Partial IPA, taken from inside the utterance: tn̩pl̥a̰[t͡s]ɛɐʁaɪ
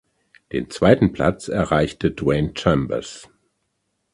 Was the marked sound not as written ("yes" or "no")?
no